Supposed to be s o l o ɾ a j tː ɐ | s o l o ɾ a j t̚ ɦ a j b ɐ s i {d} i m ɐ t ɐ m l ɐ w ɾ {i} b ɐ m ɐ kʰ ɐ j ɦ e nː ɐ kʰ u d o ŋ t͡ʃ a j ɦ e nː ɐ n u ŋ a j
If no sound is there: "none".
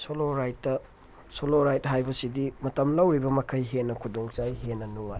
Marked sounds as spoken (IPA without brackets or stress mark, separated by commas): d, i